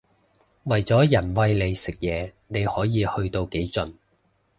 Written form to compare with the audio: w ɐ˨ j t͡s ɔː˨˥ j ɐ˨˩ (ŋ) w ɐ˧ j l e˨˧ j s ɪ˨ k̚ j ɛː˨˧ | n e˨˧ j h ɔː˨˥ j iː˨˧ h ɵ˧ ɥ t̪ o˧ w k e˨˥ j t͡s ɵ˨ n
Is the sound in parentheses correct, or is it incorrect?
incorrect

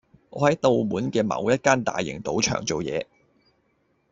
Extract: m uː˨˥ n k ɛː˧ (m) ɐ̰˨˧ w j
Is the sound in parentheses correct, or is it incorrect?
correct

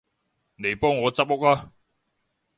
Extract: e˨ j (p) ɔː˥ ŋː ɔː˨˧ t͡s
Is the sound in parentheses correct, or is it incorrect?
correct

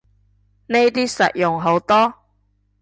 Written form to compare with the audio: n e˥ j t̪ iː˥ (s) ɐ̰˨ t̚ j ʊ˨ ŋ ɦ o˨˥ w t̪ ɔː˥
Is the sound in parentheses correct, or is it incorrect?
correct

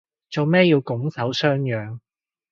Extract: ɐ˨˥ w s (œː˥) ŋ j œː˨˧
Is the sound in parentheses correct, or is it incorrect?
correct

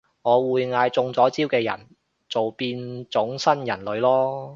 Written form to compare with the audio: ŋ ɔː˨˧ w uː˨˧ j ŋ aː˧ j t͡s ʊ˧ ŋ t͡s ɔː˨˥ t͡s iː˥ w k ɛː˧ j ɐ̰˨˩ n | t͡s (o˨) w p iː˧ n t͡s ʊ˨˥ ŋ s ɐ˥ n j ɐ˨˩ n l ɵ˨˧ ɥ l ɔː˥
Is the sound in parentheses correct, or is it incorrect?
correct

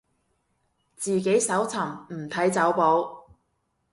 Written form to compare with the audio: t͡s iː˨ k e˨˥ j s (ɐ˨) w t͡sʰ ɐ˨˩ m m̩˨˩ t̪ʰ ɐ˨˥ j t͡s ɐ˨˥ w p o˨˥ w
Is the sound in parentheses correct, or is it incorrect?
incorrect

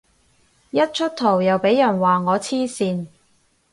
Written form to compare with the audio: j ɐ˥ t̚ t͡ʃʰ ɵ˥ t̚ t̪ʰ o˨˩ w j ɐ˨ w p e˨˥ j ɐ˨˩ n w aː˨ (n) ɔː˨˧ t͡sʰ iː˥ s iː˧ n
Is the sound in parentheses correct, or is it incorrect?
incorrect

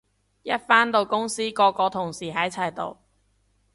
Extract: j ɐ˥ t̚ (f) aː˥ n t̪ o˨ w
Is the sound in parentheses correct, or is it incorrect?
correct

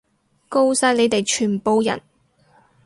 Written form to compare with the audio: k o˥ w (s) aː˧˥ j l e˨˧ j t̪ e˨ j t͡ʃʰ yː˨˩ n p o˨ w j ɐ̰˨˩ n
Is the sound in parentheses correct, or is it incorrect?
correct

